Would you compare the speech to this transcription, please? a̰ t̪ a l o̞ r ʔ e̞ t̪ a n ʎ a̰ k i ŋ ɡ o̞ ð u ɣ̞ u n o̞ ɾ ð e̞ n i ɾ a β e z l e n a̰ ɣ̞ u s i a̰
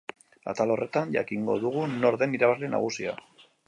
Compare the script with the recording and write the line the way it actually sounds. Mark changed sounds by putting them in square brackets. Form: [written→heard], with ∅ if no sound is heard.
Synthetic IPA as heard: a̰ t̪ a l o̞ r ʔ e̞ t̪ a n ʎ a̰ k i ŋ ɡ o̞ ð u ɣ̞ u n o̞ ɾ ð e̞ n i ɾ a β [e→a] z l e n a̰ ɣ̞ u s i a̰